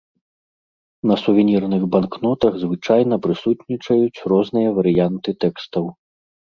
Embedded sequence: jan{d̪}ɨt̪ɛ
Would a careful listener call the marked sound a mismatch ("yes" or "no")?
yes